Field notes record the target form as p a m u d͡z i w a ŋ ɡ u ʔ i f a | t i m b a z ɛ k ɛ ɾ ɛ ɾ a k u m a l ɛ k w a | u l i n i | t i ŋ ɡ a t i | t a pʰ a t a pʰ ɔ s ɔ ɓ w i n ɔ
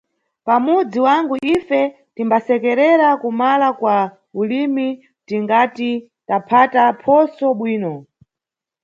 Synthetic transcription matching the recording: p a m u d͡z i w a ŋ ɡ u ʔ i f ɛ | t i m b a s ɛ k ɛ ɾ ɛ ɾ a k u m a l a k w a | u l i m i | t i ŋ ɡ a t i | t a pʰ a t a pʰ ɔ s ɔ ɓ w iː n ɔ